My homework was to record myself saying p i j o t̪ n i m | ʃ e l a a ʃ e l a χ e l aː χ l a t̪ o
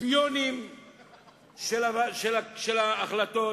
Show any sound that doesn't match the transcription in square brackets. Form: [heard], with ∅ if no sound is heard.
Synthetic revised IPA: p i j o [∅] n i m | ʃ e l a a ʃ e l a [ʃ] e l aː χ l a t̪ o

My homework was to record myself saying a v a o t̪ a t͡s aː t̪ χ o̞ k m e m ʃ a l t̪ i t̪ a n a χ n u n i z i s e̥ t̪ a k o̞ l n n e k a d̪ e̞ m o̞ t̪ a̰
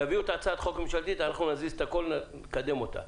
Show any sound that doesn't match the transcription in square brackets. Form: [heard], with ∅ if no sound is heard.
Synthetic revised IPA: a v [i] o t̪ a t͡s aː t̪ χ o̞ k m e m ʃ a l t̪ i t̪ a n a χ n u n [a] z i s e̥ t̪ a k o̞ l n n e k a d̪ e̞ m o̞ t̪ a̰

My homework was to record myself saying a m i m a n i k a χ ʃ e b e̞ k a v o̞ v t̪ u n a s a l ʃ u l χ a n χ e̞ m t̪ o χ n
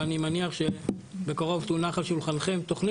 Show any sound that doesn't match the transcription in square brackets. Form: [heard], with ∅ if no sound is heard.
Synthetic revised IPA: a [n] i m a n i [∅] a χ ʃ e b e̞ k a [ʁ] o̞ v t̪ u n a [χ] a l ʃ u l χ a n χ e̞ m t̪ o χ n

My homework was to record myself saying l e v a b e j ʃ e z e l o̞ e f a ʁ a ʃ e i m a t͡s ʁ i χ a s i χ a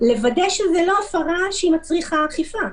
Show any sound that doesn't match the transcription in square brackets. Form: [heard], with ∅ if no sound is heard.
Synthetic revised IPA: l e v a [d] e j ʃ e z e l o̞ [a] f a ʁ a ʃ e i m a t͡s ʁ i χ a [χ] i [f] a

